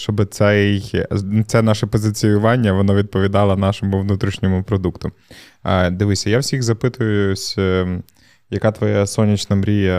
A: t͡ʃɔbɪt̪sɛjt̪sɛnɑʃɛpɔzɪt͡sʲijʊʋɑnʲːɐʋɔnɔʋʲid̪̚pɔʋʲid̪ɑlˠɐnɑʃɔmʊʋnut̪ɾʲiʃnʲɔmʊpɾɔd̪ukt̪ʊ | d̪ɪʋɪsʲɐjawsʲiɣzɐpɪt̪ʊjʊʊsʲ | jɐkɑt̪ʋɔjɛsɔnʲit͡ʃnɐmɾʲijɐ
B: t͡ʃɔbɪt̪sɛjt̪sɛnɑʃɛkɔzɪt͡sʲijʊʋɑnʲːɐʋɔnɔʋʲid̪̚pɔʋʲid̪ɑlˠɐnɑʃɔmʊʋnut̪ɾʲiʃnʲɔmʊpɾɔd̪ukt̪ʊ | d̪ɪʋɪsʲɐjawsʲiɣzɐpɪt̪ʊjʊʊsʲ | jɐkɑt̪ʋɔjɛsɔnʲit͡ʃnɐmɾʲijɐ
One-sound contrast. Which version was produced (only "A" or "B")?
A